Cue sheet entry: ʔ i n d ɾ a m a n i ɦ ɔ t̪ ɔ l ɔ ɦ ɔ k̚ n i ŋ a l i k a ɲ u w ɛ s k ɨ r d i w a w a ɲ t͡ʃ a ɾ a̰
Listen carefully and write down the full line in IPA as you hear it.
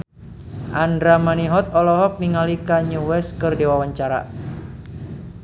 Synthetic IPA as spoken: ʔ a n d ɾ a m a n i ɦ ɔ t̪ ɔ l ɔ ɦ ɔ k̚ n i ŋ a l i k a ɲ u w ɛ s k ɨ r d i w a w a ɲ t͡ʃ a ɾ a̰